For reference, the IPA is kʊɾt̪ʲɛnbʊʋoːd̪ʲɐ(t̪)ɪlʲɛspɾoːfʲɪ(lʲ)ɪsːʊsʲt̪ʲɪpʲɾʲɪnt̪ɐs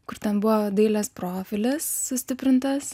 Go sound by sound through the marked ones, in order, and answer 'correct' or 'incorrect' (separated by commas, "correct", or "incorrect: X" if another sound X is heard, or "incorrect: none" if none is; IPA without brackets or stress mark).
incorrect: none, correct